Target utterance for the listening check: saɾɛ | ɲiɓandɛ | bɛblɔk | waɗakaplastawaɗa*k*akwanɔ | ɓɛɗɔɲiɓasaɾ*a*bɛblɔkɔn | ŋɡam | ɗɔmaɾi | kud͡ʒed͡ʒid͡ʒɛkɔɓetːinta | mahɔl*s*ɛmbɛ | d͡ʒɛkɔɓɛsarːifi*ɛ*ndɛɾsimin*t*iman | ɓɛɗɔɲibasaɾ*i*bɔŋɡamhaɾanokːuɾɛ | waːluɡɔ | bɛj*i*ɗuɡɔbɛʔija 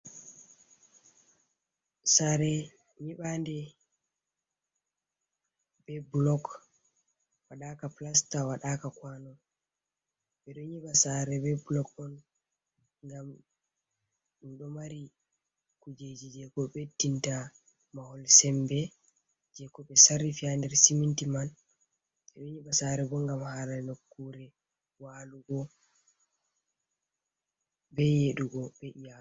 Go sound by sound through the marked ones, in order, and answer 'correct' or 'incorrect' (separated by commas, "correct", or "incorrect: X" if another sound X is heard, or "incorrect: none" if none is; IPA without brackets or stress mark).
correct, incorrect: ɛ, correct, incorrect: a, correct, incorrect: ɛ, incorrect: e